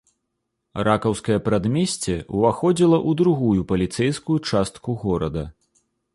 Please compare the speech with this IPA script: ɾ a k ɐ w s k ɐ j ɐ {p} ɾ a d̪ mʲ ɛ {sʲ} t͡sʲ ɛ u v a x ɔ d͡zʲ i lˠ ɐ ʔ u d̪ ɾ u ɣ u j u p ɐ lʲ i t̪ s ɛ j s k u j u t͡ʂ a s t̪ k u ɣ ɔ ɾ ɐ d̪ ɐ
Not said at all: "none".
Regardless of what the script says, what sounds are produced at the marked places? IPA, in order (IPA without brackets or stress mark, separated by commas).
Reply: p, sʲ